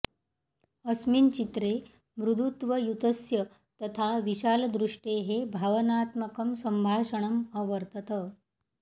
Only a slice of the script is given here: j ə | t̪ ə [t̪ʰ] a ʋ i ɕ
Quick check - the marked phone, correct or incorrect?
correct